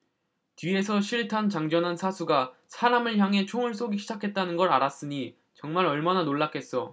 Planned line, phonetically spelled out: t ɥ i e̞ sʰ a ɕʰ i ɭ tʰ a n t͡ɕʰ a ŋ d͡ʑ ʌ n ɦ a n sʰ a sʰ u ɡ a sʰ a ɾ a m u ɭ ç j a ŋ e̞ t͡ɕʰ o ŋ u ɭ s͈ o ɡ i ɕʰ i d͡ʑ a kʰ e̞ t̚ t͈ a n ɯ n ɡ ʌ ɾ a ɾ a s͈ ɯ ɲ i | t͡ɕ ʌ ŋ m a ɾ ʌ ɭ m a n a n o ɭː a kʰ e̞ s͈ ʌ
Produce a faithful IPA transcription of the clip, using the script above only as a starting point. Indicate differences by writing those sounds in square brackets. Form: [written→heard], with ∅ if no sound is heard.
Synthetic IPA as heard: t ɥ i e̞ sʰ [a→ʌ] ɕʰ i ɭ tʰ a n [t͡ɕʰ→t͡ɕ] a ŋ d͡ʑ ʌ n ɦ a n sʰ a sʰ u ɡ a sʰ a ɾ a m [u→ɯ] ɭ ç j a ŋ e̞ t͡ɕʰ o ŋ [u→ɯ] ɭ s͈ o ɡ i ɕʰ i d͡ʑ a kʰ e̞ t̚ t͈ a n ɯ n ɡ ʌ ɾ a ɾ a s͈ ɯ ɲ i | t͡ɕ ʌ ŋ m a ɾ ʌ ɭ m a n a n o ɭː a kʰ e̞ s͈ ʌ